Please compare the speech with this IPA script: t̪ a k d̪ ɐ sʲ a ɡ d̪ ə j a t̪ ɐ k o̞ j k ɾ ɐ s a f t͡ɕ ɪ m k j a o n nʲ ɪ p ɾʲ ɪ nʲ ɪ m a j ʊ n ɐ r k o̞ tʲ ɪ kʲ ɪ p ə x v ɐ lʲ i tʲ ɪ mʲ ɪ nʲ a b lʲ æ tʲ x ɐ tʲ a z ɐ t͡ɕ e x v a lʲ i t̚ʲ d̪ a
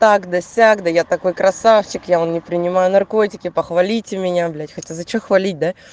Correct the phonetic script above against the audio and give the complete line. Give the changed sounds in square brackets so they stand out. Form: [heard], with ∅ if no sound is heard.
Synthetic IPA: t̪ a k d̪ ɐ sʲ a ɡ d̪ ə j a t̪ ɐ k o̞ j k ɾ ɐ s a f t͡ɕ ɪ [∅] k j a o n nʲ ɪ p ɾʲ ɪ nʲ ɪ m a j ʊ n ɐ r k o̞ tʲ ɪ kʲ ɪ p ə x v ɐ lʲ i tʲ ɪ mʲ ɪ nʲ a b lʲ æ tʲ x ɐ tʲ a z ɐ t͡ɕ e x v [ɐ] lʲ i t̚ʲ d̪ a